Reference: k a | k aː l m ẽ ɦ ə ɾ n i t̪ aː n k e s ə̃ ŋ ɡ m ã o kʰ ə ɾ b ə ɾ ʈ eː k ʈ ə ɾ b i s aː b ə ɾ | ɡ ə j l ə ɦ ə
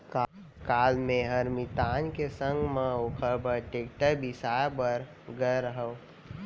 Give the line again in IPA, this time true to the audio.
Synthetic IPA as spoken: k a | k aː l m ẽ ɦ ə ɾ m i t̪ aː n k e s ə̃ ŋ ɡ m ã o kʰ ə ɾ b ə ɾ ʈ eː k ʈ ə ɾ b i s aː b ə ɾ | ɡ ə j ɾ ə ɦ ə